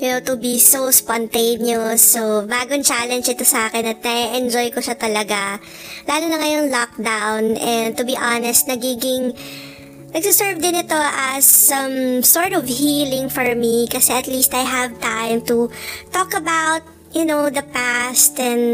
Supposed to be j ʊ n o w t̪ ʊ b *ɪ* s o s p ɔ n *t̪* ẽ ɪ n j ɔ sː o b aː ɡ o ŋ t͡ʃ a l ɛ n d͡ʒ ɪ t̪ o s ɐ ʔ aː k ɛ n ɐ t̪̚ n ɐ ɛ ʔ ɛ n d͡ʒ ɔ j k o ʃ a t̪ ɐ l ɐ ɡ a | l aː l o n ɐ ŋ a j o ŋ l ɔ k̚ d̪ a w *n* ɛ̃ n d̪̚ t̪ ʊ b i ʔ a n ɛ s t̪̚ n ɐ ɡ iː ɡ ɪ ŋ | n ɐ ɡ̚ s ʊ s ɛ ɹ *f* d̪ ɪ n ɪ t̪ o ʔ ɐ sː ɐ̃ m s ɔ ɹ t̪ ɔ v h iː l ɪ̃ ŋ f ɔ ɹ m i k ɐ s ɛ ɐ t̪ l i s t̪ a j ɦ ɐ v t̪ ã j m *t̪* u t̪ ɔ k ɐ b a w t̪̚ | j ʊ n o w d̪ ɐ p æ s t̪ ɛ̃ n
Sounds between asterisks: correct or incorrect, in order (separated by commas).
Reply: incorrect, correct, correct, incorrect, correct